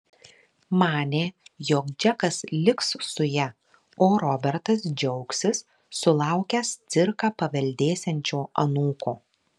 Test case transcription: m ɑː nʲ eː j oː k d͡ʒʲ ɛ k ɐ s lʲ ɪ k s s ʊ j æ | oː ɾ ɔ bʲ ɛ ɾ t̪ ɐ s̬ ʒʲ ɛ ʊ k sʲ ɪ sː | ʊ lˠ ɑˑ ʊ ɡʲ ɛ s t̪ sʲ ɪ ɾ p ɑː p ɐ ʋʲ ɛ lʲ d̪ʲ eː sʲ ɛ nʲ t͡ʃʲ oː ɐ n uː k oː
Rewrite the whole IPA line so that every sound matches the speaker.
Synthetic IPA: m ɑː nʲ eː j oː k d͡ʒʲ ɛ k ɐ s lʲ ɪ k s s ʊ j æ | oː ɾ ɔ bʲ ɛ ɾ t̪ ɐ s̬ d͡ʒʲ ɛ ʊ k sʲ ɪ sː | ʊ lˠ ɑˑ ʊ kʲ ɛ s t̪ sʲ ɪ ɾ k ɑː p ɐ ʋʲ ɛ lʲ d̪ʲ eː sʲ ɛ nʲ t͡ʃʲ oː ɐ n uː k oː